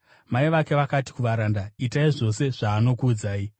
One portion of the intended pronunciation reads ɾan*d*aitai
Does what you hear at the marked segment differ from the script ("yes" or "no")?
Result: no